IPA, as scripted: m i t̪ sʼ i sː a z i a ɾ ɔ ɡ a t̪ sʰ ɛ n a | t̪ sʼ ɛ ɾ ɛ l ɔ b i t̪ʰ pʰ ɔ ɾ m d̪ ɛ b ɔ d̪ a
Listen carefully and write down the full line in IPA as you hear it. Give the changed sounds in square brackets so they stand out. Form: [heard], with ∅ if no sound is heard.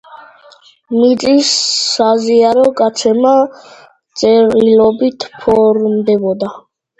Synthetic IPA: m i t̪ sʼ i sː a z i a ɾ ɔ ɡ a t̪ sʰ ɛ [m] a | t̪ sʼ ɛ ɾ [i] l ɔ b i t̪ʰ pʰ ɔ ɾ m d̪ ɛ b ɔ d̪ a